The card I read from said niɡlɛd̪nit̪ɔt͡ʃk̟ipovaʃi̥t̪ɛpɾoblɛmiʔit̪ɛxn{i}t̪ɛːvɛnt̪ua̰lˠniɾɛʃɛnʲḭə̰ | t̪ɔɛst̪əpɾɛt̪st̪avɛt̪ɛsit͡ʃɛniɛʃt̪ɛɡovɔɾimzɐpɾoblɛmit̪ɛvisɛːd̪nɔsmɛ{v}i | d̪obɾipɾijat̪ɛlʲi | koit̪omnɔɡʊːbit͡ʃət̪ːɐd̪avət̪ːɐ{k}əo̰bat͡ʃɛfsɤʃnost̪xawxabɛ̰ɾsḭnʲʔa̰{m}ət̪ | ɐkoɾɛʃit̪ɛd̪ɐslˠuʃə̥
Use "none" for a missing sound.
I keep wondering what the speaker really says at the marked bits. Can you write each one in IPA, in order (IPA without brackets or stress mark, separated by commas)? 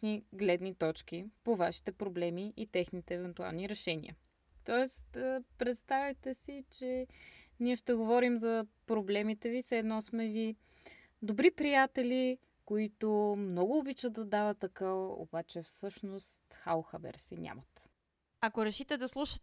i, v, k, m